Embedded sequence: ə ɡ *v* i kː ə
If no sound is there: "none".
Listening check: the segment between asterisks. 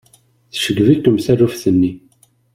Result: v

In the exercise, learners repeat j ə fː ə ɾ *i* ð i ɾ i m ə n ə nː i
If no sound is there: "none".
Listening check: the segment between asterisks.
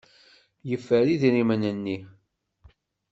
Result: i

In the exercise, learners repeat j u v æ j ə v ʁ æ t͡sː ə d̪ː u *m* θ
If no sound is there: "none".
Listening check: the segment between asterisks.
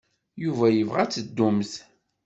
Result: m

